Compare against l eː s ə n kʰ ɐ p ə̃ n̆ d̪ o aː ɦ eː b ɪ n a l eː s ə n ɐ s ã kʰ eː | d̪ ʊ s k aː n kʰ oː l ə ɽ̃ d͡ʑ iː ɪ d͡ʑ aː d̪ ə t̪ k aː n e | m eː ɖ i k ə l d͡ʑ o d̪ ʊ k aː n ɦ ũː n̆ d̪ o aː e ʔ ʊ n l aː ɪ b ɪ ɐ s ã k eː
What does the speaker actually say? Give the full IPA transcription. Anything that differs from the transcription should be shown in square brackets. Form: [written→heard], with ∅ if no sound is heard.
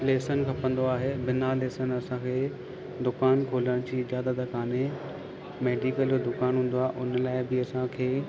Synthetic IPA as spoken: l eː s ə n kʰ ɐ p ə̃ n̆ d̪ o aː ɦ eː b ɪ n a l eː s ə n ɐ s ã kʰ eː | d̪ ʊ [s→∅] k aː n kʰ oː l ə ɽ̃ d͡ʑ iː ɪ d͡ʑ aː d̪ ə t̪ k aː n e | m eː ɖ i k ə l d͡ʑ o d̪ ʊ k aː n ɦ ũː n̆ d̪ o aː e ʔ ʊ n l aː ɪ b ɪ ɐ s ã [k→kʰ] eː